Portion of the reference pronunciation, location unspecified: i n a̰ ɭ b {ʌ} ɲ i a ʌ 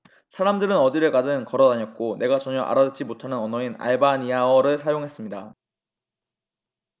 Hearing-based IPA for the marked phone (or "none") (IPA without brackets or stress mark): a